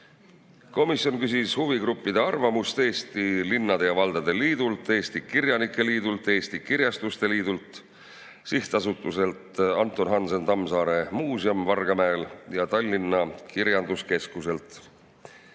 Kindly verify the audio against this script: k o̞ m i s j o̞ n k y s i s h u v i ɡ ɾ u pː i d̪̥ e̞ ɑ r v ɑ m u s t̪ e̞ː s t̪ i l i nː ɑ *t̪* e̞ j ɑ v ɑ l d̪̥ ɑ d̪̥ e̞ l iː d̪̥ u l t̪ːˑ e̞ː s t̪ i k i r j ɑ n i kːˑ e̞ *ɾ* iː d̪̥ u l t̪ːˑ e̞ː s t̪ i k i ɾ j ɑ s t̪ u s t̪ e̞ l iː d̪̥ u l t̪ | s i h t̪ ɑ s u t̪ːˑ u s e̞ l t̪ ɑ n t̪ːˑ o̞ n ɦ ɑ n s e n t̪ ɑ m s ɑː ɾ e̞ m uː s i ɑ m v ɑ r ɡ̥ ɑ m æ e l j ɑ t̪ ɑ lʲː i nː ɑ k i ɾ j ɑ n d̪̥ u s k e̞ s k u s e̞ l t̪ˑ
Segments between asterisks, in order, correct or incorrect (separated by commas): incorrect, incorrect